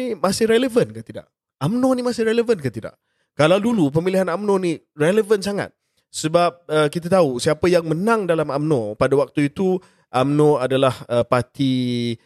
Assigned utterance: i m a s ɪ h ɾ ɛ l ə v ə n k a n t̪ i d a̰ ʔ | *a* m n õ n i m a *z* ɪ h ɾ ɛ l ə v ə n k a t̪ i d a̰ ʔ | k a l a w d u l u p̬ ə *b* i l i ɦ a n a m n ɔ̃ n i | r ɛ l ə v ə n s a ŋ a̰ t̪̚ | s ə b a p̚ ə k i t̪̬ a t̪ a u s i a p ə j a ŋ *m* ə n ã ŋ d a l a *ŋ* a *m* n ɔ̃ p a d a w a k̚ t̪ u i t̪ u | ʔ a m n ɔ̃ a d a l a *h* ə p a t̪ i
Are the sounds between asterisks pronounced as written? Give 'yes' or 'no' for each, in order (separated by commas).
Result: yes, no, no, yes, no, yes, yes